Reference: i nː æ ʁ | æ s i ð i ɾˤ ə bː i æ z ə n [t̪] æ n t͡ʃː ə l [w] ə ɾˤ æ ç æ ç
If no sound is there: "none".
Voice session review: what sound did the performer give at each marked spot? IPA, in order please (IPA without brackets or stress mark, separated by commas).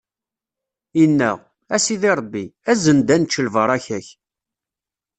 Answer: d̪, v